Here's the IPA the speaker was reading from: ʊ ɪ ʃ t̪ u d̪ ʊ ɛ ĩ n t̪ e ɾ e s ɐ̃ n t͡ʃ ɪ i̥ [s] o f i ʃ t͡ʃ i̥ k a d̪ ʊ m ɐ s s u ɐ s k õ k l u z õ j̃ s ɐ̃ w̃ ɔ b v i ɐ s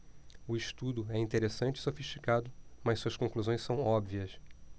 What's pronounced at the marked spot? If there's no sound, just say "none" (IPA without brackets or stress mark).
s